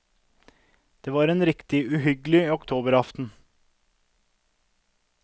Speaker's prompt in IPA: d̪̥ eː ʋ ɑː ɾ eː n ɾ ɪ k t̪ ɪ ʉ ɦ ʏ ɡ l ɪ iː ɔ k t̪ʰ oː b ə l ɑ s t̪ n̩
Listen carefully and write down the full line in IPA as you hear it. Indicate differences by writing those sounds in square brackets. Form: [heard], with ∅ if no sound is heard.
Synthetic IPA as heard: d̪̥ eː ʋ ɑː ɾ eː n ɾ ɪ k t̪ ɪ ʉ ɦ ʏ ɡ l ɪ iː ɔ k t̪ʰ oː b ə [ɾ] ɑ [f] t̪ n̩